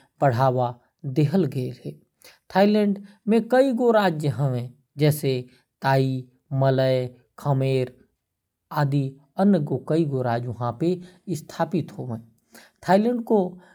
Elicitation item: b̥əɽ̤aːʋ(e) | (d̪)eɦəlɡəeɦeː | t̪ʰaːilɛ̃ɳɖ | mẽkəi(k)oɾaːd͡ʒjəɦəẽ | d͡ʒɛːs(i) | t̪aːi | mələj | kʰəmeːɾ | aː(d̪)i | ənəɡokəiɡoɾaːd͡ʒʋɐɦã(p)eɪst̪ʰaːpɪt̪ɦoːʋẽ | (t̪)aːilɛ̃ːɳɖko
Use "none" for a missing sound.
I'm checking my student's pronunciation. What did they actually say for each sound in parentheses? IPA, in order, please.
a, d̪, ɡ, e, d̪, p, t̪ʰ

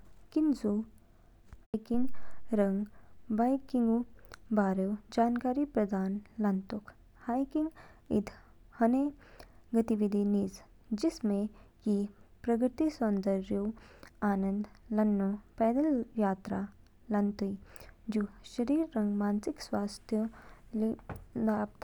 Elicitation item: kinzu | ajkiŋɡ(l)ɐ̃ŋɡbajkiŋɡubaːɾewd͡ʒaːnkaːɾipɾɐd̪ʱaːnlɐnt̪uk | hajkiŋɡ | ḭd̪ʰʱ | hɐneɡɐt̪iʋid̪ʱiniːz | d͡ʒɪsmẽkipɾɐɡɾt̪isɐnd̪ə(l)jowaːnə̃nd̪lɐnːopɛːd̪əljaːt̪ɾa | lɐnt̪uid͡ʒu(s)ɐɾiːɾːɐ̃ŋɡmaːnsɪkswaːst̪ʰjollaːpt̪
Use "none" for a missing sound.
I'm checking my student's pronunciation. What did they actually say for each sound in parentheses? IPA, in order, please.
ɾ, ɾ, ʃ

